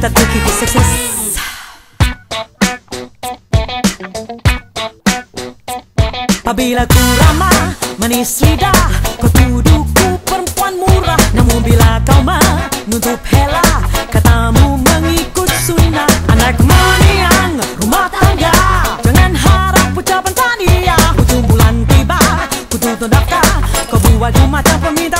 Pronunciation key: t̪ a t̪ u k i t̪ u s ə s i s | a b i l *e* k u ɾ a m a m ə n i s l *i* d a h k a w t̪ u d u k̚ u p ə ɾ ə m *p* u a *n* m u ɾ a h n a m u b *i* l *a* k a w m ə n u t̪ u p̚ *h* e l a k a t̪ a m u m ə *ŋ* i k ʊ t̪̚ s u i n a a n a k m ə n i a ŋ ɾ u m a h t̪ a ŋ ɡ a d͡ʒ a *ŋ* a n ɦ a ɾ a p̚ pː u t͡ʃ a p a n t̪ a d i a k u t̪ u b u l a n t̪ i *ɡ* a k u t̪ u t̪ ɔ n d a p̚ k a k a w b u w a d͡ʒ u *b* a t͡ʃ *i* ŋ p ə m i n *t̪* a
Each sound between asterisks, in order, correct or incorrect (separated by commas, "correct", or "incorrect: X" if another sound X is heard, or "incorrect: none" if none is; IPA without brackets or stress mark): incorrect: a, correct, correct, correct, correct, correct, correct, correct, correct, incorrect: b, incorrect: m, incorrect: a, correct